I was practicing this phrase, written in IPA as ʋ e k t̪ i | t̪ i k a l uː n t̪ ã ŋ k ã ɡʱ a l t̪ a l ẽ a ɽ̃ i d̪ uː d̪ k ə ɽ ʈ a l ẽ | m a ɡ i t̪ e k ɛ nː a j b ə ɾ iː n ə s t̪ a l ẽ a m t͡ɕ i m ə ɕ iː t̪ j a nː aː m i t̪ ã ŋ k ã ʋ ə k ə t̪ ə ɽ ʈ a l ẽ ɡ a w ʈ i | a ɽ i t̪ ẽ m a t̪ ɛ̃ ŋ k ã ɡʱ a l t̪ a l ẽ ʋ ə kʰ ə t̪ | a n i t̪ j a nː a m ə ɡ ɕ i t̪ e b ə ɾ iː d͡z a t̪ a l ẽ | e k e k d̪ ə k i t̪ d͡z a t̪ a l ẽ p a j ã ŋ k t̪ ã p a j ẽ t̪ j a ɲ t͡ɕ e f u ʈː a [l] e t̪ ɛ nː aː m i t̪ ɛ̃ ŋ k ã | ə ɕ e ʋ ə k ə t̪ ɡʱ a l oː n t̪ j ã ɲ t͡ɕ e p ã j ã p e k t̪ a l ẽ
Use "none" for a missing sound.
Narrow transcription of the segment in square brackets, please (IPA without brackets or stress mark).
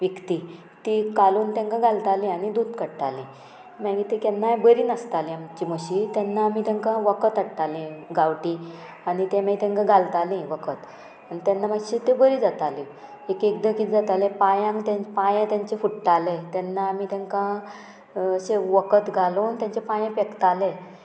l